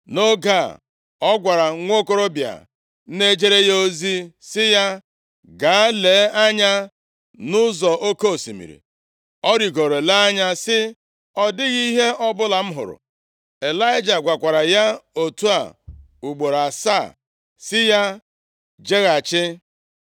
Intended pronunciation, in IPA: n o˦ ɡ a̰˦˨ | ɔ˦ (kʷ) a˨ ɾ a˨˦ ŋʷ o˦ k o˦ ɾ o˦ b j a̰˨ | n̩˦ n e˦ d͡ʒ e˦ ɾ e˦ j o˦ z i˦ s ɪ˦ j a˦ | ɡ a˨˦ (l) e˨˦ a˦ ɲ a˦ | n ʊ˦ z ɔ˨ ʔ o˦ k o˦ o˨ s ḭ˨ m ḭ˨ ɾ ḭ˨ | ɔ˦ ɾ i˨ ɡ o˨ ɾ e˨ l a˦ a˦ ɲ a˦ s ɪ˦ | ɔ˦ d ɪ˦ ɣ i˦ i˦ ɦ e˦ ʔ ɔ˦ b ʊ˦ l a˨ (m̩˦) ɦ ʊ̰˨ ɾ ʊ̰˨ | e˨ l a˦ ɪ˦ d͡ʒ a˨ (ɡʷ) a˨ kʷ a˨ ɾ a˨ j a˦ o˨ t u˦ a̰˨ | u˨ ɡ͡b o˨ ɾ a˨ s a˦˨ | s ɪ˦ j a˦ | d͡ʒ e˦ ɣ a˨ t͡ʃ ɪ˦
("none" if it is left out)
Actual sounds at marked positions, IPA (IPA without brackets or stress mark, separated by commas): ɡʷ, l, m̩˦, ɡʷ